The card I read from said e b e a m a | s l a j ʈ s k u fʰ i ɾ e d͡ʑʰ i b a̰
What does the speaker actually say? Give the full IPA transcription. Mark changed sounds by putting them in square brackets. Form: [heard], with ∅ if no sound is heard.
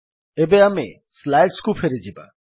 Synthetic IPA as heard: e b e a m [e] | s l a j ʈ s k u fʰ [e] ɾ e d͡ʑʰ i b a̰